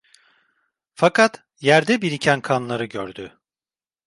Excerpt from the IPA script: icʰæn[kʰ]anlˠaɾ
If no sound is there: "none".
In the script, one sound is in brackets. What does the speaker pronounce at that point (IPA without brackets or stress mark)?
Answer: kʰ